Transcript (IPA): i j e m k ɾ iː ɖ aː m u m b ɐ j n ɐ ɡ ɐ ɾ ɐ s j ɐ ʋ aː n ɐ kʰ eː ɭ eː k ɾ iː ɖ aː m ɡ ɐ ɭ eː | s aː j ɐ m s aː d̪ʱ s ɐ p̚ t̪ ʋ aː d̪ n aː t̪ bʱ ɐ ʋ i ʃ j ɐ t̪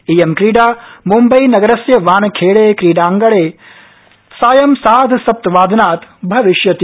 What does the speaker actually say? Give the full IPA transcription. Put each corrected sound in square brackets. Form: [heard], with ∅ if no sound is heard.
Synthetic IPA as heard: i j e m k ɾ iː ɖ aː m u m b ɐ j n ɐ ɡ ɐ ɾ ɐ s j ɐ ʋ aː n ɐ kʰ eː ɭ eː k ɾ iː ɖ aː [ŋ] ɡ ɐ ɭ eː | s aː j ɐ m s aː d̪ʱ s ɐ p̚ t̪ ʋ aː d̪ n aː t̪ bʱ ɐ ʋ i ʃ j ɐ t̪